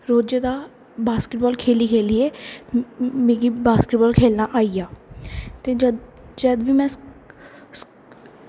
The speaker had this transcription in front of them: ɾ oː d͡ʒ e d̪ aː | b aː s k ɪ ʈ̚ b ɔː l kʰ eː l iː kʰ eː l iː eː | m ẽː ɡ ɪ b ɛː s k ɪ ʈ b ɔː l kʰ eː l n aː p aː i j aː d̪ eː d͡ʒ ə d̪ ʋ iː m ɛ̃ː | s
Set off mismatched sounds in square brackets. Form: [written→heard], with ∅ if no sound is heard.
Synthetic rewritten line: ɾ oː d͡ʒ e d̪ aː | b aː s k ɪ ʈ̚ b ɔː l kʰ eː l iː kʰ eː l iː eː | m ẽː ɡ [ɪ→i] b [ɛː→aː] s k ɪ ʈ b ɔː l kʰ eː l n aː [p→ʔ] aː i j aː [d̪→t̪] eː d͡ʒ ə d̪ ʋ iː m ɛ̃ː | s